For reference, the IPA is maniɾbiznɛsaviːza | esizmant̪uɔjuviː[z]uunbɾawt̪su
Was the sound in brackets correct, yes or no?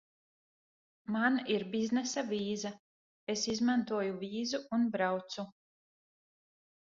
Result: yes